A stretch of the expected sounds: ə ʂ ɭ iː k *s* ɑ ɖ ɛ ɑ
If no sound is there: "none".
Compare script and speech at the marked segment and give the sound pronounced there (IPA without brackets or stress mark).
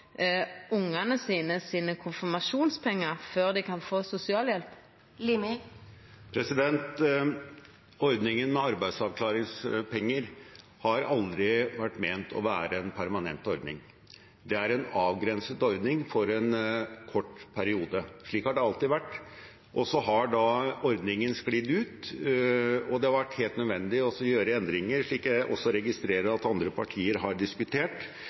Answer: h